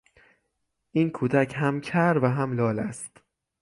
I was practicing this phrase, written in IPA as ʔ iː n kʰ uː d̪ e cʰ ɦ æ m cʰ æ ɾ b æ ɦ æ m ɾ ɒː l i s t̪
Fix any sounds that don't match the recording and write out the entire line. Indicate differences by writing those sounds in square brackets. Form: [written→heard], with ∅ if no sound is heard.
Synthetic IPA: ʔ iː n kʰ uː d̪ [e→æ] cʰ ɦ æ m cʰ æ ɾ [b→v] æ ɦ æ m [ɾ→l] ɒː l [i→æ] s t̪